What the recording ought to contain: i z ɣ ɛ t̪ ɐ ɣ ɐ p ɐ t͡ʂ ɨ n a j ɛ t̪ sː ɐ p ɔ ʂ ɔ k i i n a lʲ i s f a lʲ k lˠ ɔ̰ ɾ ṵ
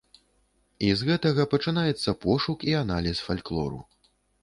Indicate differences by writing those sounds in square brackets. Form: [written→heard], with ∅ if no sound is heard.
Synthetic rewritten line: i z ɣ ɛ t̪ ɐ ɣ ɐ p ɐ t͡ʂ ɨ n a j ɛ t̪ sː ɐ p ɔ ʂ [ɔ→u] k i [i→a] n a lʲ i s f a lʲ k lˠ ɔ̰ ɾ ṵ